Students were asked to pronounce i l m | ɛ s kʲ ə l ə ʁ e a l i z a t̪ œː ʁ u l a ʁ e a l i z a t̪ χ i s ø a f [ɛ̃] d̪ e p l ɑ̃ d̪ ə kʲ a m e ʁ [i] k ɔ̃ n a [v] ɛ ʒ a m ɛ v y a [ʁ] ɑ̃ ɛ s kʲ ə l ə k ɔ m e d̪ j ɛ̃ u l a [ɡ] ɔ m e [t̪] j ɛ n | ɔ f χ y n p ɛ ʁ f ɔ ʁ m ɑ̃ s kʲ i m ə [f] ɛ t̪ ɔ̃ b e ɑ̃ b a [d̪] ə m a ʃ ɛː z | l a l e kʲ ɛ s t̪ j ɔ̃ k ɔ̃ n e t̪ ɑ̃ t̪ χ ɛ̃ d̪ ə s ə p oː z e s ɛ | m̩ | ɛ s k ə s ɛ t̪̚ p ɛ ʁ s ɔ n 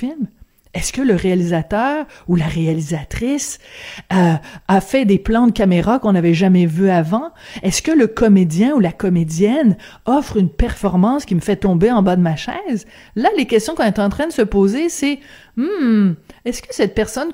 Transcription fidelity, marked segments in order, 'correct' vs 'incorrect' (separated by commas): incorrect, incorrect, correct, incorrect, incorrect, incorrect, correct, correct